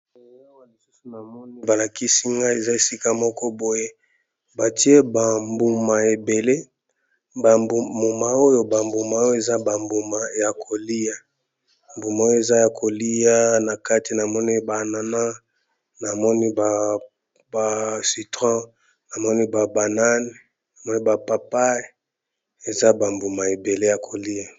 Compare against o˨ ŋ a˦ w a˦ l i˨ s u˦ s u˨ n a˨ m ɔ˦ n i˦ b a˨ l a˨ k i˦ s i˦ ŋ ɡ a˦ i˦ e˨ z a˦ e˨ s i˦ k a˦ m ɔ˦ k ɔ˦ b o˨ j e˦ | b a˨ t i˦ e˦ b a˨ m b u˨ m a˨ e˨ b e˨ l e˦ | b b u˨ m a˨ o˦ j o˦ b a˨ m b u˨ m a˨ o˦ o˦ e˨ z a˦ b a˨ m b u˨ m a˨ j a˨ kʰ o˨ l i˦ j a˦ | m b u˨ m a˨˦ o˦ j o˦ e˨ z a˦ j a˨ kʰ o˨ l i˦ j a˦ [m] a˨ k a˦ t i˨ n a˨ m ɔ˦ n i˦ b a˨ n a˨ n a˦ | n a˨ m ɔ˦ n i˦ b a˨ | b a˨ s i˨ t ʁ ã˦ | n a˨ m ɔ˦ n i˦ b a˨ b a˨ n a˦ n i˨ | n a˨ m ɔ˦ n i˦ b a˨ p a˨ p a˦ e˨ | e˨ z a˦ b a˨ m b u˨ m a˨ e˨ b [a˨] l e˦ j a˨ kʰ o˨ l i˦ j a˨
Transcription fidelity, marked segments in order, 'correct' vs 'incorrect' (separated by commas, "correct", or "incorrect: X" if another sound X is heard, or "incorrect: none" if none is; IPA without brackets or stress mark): incorrect: n, incorrect: e˨